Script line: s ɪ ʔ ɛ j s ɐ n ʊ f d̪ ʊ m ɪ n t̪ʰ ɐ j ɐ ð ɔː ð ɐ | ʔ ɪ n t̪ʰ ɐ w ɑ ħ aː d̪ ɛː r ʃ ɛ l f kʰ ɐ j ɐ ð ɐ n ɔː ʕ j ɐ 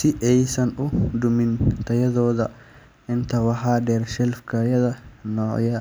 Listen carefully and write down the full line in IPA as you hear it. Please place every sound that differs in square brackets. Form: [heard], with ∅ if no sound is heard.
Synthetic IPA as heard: s ɪ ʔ ɛ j s ɐ n ʊ [∅] d̪ ʊ m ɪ n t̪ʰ ɐ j ɐ ð ɔː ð ɐ | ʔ ɪ n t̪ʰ ɐ w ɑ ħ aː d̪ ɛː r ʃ ɛ l f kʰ ɐ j ɐ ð ɐ n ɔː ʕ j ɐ